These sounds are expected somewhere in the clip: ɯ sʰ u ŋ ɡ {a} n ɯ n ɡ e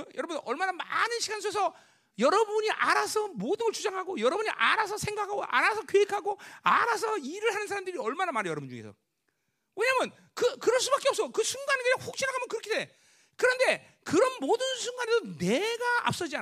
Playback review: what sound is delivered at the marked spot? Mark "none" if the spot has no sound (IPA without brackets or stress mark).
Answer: a